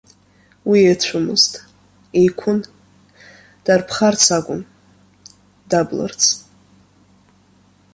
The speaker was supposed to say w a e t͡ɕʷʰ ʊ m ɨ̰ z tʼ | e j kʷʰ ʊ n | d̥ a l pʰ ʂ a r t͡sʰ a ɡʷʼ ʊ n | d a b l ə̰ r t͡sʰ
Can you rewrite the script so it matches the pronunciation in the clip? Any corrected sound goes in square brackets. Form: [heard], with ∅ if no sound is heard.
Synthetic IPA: w [i] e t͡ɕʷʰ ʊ m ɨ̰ z tʼ | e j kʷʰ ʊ n | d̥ a [r] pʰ [χ] a r t͡sʰ a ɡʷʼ ʊ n | d a b l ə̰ r t͡sʰ

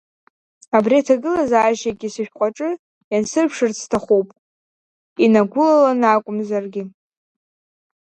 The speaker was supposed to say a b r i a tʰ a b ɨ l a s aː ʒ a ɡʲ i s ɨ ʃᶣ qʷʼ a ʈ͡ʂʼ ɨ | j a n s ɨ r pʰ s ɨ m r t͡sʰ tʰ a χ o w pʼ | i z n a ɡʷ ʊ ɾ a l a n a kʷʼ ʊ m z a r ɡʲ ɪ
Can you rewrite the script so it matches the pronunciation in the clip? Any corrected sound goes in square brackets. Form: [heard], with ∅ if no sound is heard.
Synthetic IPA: a b r i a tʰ a [ɡ] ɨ l a [z] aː ʒ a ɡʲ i s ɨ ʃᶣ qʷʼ a ʈ͡ʂʼ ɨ | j a n s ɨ r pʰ [ʂ] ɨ [∅] r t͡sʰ tʰ a χ o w pʼ | i [∅] n a ɡʷ ʊ [l] a l a n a kʷʼ ʊ m z a r ɡʲ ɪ

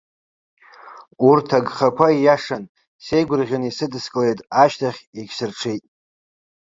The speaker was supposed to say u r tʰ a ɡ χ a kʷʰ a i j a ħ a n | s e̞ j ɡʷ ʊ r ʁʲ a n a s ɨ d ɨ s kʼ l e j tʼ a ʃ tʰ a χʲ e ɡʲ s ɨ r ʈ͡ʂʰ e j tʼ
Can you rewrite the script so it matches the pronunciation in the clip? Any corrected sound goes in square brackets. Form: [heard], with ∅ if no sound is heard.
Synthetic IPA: u r tʰ a ɡ χ a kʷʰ a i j a [ʂ] a n | s e̞ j ɡʷ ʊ r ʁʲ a n [i] s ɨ d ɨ s kʼ l e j tʼ a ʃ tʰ a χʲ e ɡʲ s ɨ r ʈ͡ʂʰ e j tʼ

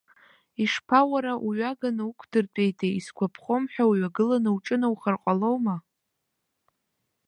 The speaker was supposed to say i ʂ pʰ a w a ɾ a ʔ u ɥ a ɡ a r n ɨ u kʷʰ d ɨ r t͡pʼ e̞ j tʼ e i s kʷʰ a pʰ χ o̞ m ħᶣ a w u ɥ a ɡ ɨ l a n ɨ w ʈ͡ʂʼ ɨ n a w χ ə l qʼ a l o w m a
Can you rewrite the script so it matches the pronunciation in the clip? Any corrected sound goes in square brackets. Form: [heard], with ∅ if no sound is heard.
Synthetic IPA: i ʂ pʰ a w a ɾ a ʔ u ɥ a ɡ a [∅] n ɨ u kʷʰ d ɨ r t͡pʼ e̞ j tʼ e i s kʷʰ a pʰ χ o̞ m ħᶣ a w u ɥ a ɡ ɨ l a n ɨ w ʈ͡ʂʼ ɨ n a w χ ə [r] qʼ a l o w m a

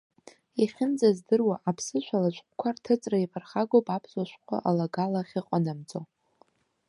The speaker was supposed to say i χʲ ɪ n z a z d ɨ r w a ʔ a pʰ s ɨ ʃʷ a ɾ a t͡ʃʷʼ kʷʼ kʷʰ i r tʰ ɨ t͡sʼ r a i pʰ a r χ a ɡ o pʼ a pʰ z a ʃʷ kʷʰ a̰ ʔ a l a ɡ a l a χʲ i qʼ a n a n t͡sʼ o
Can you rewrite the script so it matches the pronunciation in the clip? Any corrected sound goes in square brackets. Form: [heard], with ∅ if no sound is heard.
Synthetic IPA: i χʲ ɪ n [d͡z] a z d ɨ r w a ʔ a pʰ s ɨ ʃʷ a [l] a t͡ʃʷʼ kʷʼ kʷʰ [a] r tʰ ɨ t͡sʼ r a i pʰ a r χ a ɡ o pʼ a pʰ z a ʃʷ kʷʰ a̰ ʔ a l a ɡ a l a χʲ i qʼ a n a [m] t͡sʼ o

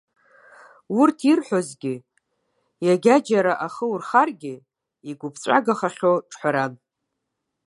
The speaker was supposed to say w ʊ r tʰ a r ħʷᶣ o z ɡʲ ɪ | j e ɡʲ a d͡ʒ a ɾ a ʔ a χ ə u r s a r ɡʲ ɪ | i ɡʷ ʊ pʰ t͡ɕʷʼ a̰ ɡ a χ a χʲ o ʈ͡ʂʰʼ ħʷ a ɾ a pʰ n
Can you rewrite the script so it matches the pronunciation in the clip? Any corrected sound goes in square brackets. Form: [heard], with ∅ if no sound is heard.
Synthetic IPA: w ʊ r tʰ [i] r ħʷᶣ o z ɡʲ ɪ | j [a] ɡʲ a d͡ʒ a ɾ a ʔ a χ ə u r [χ] a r ɡʲ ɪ | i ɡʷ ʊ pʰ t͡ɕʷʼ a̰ ɡ a χ a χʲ o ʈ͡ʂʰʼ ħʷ a ɾ a [∅] n

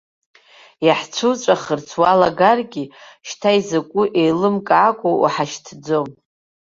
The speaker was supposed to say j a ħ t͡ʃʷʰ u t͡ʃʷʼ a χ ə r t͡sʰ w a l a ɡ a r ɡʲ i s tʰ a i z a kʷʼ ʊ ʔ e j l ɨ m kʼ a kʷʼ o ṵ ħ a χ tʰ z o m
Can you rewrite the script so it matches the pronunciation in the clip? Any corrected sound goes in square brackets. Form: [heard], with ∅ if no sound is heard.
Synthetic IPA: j a ħ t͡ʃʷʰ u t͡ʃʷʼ a χ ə r t͡sʰ w a l a ɡ a r ɡʲ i [ʃ] tʰ a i z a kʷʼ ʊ ʔ e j l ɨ m kʼ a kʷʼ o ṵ ħ a [ʃ] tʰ [d͡z] o m

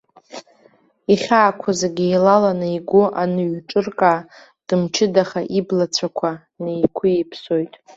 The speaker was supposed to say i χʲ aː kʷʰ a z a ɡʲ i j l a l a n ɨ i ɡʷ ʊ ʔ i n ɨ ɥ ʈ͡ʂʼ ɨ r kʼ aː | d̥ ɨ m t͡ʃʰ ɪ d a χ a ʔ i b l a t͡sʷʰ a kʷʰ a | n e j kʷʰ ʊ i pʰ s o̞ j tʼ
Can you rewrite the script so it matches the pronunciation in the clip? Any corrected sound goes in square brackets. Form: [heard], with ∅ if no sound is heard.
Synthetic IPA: i χʲ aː kʷʰ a z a ɡʲ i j l a l a n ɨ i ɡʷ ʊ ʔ [a] n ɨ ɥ ʈ͡ʂʼ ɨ r kʼ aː | d̥ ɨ m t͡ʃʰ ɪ d a χ a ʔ i b l a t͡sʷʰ a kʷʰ a | n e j kʷʰ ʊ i pʰ s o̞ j tʼ

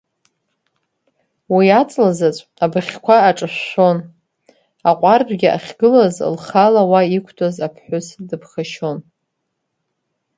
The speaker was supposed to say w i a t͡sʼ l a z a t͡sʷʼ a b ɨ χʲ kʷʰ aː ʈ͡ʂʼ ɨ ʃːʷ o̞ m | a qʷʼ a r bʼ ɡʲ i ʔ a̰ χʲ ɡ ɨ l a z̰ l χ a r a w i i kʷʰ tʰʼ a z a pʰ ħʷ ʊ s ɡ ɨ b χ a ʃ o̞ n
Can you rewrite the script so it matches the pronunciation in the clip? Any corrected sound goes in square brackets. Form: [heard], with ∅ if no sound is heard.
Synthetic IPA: w i a t͡sʼ l a z a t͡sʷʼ a b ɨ χʲ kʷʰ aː ʈ͡ʂʼ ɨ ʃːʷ o̞ [n] | a qʷʼ a r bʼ ɡʲ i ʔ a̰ χʲ ɡ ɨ l a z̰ l χ a [l] a w [a] i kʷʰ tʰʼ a z a pʰ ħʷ ʊ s [d] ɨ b χ a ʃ o̞ n

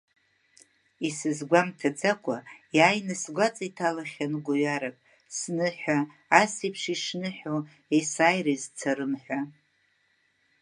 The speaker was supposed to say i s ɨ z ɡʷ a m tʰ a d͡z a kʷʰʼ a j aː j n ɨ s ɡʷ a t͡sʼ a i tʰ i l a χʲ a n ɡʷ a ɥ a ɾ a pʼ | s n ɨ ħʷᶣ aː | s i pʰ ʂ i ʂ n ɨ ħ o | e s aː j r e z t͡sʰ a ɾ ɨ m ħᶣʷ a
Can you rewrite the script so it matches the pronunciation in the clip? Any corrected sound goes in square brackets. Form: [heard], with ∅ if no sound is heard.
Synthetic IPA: i s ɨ z ɡʷ a m tʰ a d͡z a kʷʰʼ a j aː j n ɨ s ɡʷ a t͡sʼ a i tʰ [a] l a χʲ a n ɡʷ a ɥ a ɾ a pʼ | s n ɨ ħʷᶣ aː | s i pʰ ʂ i ʂ n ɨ ħ o | e s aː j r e z t͡sʰ a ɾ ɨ m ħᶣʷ a

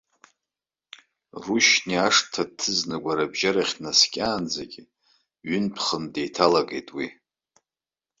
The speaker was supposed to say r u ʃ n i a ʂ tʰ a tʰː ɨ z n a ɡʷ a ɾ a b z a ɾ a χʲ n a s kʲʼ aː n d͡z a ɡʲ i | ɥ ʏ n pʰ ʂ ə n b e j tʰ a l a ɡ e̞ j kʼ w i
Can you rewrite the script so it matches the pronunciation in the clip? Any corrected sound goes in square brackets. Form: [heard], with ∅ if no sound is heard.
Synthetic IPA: r u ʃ n i a ʂ tʰ a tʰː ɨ z n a ɡʷ a ɾ a b [ʒ] a ɾ a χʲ n a s kʲʼ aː n d͡z a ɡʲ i | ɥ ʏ n pʰ [χ] ə n [d] e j tʰ a l a ɡ e̞ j [tʼ] w i

